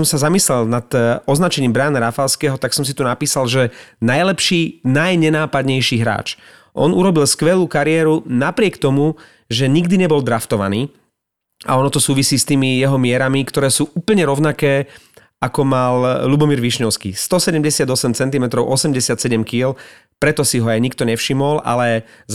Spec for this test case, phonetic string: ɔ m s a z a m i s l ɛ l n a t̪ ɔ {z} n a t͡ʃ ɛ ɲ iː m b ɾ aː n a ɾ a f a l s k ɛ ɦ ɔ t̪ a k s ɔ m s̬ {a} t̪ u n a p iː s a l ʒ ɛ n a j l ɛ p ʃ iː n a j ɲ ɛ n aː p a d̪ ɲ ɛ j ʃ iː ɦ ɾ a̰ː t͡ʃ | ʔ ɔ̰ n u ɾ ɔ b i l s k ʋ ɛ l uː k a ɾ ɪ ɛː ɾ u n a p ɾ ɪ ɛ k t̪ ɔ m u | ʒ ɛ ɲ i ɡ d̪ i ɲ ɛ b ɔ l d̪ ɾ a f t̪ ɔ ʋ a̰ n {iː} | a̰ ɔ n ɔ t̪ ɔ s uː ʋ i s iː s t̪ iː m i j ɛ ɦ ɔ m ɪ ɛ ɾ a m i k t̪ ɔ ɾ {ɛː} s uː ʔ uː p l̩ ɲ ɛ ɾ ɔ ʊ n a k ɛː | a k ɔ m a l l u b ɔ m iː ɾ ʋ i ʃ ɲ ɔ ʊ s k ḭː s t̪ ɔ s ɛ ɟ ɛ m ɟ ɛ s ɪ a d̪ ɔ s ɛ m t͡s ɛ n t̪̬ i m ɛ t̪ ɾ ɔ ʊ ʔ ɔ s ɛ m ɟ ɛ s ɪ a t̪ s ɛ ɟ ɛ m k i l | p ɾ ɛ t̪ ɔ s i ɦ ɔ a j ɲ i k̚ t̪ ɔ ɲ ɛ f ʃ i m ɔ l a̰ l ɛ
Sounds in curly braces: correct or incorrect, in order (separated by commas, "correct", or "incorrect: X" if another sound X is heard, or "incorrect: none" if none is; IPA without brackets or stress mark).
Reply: correct, incorrect: i, correct, correct